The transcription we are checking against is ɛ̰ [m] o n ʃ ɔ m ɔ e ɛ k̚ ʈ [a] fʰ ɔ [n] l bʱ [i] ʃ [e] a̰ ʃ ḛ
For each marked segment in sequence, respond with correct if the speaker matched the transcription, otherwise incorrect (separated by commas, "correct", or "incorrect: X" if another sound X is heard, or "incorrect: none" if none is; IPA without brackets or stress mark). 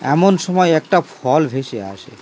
correct, correct, incorrect: none, incorrect: e, correct